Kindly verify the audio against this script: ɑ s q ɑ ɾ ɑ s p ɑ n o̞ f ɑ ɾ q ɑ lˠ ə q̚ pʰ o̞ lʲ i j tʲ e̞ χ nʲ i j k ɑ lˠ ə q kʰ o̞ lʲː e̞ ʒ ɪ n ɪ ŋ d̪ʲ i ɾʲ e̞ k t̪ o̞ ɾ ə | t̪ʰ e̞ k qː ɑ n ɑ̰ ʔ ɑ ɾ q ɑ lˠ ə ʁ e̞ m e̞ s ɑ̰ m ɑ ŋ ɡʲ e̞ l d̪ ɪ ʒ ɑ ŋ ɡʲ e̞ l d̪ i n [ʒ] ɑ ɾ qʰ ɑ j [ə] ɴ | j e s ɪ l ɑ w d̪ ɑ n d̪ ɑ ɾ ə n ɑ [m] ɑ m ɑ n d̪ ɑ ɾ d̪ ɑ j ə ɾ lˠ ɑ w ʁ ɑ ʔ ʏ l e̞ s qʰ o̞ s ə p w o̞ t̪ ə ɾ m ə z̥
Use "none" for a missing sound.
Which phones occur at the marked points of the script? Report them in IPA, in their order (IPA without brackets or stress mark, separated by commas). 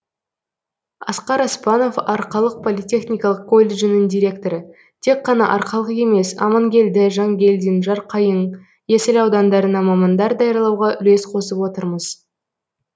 ʒ, ə, m